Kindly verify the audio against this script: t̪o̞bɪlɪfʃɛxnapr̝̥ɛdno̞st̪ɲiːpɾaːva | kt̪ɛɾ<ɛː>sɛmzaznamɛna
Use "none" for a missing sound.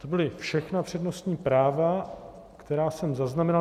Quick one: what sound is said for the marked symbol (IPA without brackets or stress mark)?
aː